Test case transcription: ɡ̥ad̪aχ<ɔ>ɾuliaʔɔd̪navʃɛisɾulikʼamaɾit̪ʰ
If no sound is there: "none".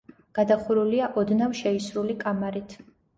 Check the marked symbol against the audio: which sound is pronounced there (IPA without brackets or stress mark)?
u